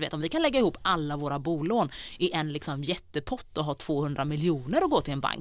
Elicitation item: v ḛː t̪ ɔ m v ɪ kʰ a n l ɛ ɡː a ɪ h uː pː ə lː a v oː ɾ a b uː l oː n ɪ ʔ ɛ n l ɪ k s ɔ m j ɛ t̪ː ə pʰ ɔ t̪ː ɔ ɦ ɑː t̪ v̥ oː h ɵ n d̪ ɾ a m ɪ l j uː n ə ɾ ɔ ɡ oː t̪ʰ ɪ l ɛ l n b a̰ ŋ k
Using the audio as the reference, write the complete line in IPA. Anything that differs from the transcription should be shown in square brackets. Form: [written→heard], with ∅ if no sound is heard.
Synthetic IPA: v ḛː t̪ ɔ m v ɪ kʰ a n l ɛ ɡː a ɪ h uː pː [ə→a] lː a v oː ɾ a b uː l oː n ɪ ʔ ɛ n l ɪ k s ɔ m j ɛ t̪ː ə pʰ ɔ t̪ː ɔ ɦ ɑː [t̪→t̪ʰ] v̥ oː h ɵ n d̪ ɾ a m ɪ l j uː n ə ɾ ɔ ɡ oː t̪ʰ ɪ l ɛ [l→∅] n b a̰ ŋ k